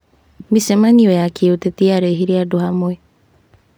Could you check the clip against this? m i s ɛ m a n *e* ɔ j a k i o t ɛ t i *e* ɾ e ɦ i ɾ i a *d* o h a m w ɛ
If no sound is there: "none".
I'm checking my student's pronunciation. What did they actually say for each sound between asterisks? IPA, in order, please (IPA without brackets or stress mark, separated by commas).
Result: i, a, d